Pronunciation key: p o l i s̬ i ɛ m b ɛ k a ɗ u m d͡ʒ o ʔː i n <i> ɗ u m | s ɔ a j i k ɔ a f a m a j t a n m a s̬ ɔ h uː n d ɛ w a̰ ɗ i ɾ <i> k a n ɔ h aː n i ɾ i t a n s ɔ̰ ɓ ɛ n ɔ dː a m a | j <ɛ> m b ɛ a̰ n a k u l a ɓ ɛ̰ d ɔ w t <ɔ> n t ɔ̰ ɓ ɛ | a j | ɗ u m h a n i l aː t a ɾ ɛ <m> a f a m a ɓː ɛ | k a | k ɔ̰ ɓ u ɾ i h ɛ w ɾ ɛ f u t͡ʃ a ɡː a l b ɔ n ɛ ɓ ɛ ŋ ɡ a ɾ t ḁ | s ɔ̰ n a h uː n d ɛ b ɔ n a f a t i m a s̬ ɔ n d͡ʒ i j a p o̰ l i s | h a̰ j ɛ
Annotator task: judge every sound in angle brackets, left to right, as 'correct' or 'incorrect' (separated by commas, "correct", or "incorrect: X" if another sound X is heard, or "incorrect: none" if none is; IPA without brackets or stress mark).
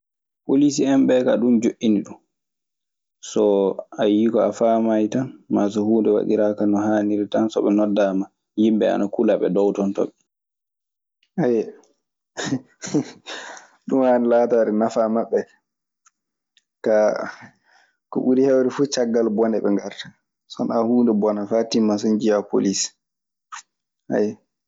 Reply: correct, incorrect: a, incorrect: i, correct, incorrect: n